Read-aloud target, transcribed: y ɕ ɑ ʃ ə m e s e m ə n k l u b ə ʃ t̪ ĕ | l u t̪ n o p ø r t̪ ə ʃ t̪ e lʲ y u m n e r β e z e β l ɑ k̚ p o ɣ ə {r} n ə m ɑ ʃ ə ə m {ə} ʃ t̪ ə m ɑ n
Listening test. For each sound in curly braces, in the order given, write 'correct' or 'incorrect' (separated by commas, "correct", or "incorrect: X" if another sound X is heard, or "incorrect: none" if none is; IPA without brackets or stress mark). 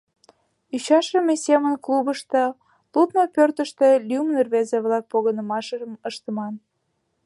incorrect: none, correct